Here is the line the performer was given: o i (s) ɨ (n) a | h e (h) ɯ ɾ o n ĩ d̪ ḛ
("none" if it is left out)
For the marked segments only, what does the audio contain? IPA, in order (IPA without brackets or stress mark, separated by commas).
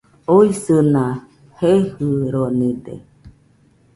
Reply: s, n, h